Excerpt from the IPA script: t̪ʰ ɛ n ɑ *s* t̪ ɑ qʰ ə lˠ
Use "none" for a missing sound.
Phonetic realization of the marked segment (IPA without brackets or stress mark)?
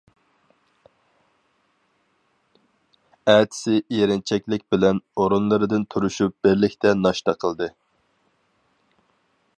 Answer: ʃ